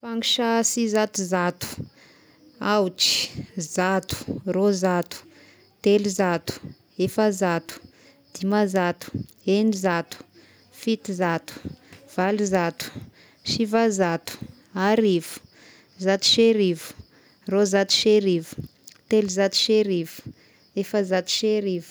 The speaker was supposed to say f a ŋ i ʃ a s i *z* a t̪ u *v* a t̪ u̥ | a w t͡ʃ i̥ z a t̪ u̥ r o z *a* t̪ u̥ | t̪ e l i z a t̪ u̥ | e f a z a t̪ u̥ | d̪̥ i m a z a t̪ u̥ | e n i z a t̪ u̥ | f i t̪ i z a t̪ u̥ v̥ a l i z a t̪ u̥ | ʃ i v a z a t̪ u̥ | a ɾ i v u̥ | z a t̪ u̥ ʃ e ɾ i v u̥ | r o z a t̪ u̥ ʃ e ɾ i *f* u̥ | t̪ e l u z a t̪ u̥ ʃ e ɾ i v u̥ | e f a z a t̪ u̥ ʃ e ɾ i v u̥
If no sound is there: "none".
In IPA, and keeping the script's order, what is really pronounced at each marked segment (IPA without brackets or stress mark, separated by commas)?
z, z, a, v